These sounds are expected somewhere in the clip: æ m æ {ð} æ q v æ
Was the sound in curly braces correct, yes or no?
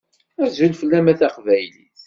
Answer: no